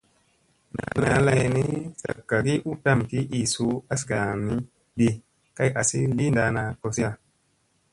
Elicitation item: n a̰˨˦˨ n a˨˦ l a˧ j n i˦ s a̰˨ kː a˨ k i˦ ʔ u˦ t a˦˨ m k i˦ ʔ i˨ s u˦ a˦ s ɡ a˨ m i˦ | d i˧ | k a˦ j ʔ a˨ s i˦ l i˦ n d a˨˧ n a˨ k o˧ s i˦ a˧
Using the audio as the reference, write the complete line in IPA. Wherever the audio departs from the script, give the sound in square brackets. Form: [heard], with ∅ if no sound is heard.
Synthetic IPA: n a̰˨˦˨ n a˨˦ l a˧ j n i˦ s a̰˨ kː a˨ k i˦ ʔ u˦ t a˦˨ m k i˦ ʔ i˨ s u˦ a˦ s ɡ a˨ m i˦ | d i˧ | k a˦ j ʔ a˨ s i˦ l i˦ n d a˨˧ n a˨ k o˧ s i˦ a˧